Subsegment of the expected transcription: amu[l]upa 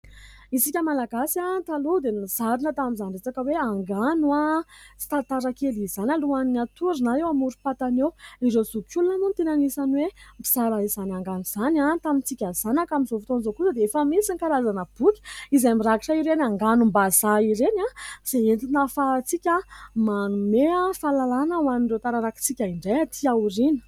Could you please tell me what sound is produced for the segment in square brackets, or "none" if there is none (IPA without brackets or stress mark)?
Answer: ɾ